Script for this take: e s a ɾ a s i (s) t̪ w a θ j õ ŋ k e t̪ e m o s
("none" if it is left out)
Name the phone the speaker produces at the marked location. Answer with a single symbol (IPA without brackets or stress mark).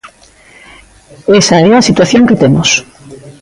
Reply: none